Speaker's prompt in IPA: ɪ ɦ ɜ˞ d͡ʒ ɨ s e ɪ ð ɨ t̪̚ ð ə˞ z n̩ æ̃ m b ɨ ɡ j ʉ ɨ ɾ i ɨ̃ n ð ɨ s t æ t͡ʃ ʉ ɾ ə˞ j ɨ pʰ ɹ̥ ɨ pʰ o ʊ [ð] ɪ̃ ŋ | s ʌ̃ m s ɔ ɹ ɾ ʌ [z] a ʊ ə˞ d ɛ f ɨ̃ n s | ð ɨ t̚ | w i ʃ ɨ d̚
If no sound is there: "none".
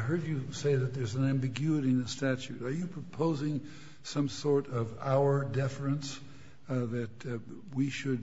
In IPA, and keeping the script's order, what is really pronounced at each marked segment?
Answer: z, v

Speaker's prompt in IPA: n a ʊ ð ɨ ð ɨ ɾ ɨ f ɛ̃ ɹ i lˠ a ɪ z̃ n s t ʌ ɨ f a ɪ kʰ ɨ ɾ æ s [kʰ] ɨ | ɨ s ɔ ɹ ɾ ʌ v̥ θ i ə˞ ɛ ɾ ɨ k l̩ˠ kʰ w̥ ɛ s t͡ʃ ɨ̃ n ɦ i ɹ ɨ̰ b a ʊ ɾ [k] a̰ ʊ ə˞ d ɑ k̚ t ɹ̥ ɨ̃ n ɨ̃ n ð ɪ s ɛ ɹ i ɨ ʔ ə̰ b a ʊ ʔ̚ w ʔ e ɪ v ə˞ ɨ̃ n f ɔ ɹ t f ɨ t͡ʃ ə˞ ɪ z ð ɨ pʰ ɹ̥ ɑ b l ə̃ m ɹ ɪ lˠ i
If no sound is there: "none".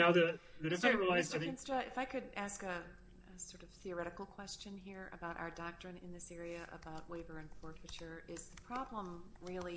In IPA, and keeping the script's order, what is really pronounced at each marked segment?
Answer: k, ʔ

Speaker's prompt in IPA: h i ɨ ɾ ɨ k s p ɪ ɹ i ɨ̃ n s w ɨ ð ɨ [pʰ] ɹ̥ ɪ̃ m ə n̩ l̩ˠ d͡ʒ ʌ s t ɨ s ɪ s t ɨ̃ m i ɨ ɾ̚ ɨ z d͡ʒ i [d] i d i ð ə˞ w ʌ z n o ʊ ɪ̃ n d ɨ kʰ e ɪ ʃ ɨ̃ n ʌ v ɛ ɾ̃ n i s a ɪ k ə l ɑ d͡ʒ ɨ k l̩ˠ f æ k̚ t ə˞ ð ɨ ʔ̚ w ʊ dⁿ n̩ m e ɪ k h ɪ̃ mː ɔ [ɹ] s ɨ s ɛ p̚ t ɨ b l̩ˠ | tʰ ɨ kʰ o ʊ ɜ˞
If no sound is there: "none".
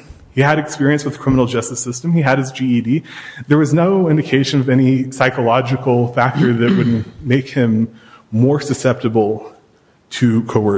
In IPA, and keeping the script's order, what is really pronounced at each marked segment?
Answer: kʰ, none, ɹ

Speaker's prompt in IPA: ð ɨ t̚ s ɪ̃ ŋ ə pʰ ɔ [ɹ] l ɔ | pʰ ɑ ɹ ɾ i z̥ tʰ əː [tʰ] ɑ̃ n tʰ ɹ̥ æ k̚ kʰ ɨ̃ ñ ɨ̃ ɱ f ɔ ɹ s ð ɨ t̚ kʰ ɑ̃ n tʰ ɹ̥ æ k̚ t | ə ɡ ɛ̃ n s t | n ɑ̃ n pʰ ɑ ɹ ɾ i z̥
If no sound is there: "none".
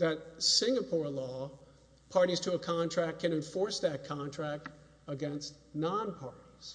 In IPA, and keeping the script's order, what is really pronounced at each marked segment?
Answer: ɹ, kʰ

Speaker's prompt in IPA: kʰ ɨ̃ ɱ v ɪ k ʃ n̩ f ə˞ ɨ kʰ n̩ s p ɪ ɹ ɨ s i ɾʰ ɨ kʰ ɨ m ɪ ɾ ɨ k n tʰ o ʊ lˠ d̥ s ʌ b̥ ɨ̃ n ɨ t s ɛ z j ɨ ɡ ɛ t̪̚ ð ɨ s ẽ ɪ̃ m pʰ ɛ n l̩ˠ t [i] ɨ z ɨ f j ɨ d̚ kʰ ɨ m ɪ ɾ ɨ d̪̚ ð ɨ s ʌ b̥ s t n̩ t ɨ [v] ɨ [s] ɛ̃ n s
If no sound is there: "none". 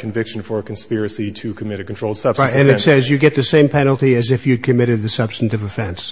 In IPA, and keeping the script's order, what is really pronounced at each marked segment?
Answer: i, v, f

